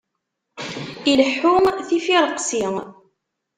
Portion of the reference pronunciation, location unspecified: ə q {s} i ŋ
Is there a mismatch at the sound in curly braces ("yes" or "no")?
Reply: no